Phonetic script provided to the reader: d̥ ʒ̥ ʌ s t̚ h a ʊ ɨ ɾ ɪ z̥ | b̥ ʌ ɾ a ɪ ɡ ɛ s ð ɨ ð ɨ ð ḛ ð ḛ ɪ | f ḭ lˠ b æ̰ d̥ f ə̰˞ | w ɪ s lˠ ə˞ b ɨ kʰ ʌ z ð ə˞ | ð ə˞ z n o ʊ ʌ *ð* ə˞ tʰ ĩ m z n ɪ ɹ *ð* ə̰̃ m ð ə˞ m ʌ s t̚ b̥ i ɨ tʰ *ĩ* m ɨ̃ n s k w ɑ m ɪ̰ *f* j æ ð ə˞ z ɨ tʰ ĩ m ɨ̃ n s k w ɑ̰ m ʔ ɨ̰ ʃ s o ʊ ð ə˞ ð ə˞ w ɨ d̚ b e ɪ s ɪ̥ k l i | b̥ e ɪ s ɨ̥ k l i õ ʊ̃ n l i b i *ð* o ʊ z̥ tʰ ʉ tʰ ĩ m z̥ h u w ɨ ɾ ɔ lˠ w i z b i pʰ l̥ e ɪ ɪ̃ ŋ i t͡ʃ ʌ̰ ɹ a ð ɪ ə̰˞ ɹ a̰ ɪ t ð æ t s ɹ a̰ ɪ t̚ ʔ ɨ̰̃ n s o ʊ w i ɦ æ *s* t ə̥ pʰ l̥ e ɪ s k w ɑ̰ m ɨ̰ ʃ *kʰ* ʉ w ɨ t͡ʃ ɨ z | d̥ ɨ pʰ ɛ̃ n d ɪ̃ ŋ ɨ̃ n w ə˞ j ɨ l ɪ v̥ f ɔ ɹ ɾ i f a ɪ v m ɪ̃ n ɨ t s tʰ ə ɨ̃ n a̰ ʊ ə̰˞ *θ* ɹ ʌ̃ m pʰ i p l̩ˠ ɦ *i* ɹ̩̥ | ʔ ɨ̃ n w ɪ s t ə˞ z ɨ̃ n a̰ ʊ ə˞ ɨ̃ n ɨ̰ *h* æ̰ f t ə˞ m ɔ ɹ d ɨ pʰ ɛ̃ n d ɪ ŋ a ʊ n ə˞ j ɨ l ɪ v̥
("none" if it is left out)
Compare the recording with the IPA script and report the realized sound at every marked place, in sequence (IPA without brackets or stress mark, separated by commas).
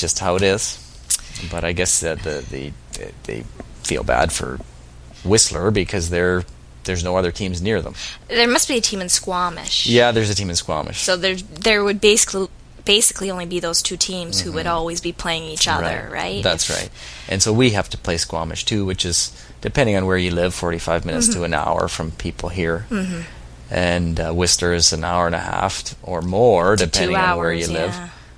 ð, ð, ĩ, ʃ, ð, f, tʰ, f, i, h